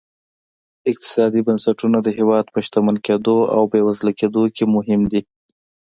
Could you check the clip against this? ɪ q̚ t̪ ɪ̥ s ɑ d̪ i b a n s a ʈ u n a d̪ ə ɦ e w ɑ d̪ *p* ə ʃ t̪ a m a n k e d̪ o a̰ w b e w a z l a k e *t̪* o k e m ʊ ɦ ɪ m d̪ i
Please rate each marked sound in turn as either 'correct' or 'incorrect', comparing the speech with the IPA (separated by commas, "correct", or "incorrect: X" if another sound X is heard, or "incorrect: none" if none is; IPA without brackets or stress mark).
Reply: correct, incorrect: d̪